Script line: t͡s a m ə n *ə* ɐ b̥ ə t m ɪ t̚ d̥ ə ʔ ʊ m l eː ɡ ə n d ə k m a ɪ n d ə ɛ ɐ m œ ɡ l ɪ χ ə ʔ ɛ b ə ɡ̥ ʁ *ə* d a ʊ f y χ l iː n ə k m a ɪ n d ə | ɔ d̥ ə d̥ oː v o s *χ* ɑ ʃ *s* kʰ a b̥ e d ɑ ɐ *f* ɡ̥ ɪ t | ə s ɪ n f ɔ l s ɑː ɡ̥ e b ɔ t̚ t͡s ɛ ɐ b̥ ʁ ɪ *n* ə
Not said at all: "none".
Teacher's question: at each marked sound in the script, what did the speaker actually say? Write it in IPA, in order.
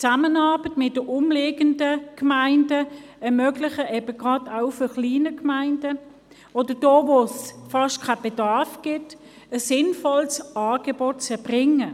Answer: ɑ, ɑ, f, t, f, ŋ

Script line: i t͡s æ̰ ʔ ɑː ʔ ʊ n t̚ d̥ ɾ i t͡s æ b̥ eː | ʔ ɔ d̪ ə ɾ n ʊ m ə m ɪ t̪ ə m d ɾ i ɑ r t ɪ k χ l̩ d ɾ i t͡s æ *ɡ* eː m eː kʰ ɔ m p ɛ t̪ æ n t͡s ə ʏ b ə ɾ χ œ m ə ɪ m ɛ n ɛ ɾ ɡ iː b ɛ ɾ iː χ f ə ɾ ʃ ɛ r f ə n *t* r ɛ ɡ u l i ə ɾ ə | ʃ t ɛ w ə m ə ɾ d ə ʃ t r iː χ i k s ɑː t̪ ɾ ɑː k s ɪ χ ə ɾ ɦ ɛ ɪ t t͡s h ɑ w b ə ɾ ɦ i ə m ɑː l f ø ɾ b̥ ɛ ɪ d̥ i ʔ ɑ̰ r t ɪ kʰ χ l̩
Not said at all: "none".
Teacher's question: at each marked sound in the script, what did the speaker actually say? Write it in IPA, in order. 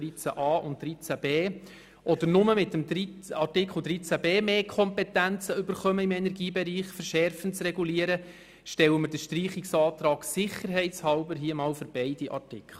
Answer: b, t͡s

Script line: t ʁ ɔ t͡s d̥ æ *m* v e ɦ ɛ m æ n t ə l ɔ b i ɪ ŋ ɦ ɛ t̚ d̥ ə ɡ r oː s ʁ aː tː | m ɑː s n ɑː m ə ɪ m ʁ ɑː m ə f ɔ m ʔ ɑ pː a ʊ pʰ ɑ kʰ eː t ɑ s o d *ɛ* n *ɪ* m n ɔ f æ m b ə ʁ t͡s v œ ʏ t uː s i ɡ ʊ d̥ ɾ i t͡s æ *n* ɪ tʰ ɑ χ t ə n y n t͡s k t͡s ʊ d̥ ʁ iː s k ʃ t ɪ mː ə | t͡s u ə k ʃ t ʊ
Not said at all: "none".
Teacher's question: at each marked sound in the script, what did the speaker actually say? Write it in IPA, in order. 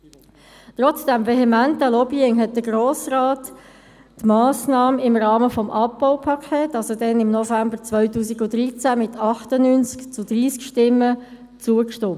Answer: m, ɛ, ɪ, m

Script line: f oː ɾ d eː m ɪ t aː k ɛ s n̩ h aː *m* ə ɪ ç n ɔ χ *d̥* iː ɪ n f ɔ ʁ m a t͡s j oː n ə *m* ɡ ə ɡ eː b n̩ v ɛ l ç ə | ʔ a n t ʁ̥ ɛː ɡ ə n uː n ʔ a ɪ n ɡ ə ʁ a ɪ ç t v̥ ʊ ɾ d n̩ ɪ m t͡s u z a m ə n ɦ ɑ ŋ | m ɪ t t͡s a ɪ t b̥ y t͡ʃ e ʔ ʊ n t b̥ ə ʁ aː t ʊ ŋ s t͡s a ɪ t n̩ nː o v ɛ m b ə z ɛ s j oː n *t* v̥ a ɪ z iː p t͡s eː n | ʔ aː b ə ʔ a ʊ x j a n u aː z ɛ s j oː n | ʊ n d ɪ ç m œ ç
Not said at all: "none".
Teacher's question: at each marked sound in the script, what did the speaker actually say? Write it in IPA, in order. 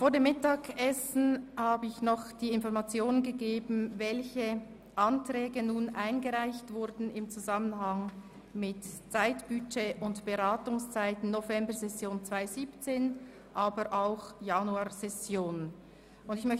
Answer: b, d̥, n, t͡s

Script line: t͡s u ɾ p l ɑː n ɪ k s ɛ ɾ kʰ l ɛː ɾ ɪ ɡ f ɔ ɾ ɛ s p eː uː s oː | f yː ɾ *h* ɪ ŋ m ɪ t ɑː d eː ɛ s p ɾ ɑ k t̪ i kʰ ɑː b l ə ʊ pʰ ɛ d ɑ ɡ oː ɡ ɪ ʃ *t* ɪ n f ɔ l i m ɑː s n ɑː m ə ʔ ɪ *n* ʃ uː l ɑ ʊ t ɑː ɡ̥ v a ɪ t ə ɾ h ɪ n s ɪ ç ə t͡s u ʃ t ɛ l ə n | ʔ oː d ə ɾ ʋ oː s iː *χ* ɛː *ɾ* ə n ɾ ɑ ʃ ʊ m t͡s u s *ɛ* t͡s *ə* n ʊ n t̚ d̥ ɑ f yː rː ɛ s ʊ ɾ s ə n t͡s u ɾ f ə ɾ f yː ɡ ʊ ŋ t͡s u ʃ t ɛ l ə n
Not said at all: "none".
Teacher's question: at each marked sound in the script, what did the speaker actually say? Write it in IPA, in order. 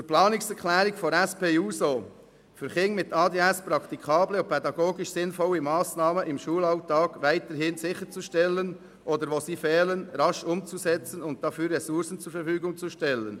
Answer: χ, s, m, f, l, ɛ, ə

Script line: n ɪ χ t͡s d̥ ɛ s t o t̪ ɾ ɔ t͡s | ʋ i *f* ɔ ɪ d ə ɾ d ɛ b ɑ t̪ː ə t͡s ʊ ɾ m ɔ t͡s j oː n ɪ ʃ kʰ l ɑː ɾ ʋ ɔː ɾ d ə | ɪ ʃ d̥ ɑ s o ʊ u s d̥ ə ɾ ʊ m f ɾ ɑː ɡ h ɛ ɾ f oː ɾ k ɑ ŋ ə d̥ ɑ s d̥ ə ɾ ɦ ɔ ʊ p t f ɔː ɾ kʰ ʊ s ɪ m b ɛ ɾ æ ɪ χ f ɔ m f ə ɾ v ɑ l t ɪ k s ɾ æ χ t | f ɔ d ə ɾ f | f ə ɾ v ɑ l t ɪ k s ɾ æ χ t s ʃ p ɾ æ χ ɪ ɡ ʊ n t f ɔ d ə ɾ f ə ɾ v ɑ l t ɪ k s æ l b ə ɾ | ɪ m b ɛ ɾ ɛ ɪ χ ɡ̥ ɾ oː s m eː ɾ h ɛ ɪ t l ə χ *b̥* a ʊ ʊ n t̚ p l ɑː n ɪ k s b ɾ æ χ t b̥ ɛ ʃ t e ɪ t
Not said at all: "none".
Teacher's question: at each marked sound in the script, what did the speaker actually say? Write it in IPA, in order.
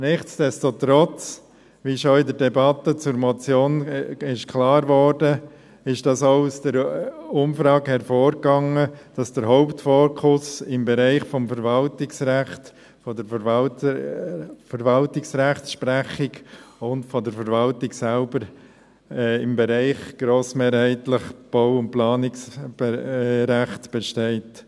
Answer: ʃ, b̥

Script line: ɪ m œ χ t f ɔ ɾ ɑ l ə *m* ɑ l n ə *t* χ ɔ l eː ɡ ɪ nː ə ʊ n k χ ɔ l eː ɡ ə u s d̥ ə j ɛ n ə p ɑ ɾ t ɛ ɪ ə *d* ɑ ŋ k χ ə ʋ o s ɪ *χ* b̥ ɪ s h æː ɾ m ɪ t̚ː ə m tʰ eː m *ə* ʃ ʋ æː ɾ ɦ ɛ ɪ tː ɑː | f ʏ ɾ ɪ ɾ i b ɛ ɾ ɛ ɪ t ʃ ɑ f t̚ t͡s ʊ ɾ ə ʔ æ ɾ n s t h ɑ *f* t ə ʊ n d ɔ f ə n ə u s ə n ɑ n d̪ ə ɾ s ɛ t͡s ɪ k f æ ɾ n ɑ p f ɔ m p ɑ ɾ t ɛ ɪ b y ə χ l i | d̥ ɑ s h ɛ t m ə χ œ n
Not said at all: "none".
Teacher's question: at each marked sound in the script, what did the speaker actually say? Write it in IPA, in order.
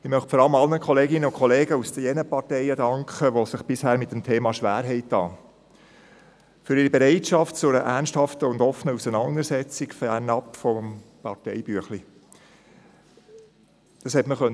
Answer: m, k, d, χ, ɑ, f

